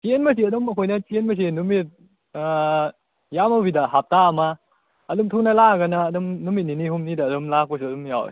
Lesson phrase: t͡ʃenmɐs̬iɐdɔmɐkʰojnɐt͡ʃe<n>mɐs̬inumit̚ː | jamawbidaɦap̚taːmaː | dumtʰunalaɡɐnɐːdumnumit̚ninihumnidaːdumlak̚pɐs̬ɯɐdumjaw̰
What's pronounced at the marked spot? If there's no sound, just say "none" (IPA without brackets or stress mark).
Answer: n